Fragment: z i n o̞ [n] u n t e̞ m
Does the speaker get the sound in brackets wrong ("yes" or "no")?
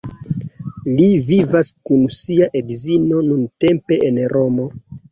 no